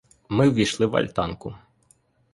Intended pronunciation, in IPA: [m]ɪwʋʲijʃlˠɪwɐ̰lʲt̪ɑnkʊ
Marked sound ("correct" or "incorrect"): correct